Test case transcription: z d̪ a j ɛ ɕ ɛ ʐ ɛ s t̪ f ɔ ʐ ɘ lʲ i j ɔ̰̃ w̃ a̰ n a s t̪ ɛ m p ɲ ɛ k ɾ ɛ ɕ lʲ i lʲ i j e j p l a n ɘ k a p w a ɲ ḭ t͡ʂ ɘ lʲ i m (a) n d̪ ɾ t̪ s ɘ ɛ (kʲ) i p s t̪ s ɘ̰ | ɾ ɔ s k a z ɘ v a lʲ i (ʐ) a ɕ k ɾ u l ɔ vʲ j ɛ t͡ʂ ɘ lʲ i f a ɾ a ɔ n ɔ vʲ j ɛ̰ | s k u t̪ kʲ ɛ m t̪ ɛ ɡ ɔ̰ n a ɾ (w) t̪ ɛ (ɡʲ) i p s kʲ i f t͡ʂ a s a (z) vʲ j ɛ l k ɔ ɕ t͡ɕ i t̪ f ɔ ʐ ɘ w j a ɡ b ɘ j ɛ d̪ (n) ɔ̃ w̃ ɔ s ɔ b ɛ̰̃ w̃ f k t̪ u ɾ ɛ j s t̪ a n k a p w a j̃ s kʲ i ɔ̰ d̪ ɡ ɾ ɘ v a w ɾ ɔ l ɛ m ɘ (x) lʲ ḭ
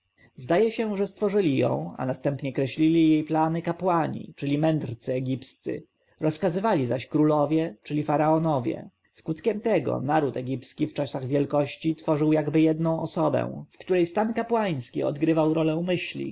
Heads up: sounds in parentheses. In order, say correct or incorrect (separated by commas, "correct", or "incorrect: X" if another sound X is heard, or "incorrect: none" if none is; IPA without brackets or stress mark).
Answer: incorrect: ɛ, incorrect: ɡʲ, incorrect: z, incorrect: u, correct, incorrect: ɣ, correct, incorrect: ɕ